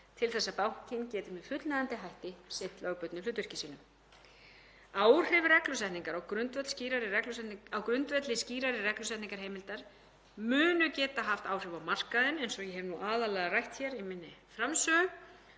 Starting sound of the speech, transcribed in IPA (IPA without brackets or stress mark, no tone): t̪ʰ